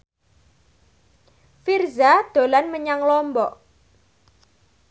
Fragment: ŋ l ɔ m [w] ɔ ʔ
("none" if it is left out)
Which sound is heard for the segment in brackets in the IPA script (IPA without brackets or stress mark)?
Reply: b